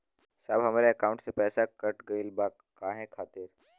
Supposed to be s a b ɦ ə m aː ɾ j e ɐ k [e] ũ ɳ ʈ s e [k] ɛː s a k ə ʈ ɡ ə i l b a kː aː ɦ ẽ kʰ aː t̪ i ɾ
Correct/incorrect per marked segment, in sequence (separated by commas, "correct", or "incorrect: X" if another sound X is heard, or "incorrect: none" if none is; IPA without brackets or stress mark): incorrect: a, incorrect: p